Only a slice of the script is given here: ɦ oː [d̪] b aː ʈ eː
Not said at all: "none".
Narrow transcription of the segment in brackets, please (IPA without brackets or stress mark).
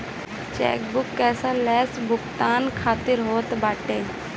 t̪